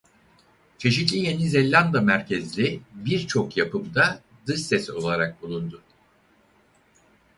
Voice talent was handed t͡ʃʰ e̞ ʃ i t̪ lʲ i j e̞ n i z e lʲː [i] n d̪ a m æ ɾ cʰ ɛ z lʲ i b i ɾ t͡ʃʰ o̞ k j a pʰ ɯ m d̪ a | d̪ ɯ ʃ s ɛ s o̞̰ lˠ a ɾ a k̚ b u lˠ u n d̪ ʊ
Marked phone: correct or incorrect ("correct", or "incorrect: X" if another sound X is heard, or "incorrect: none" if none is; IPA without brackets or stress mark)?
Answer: incorrect: a